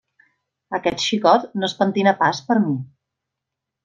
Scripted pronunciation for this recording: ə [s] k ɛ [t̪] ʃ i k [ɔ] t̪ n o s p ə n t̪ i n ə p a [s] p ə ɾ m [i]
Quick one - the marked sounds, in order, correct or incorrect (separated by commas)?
incorrect, correct, correct, correct, correct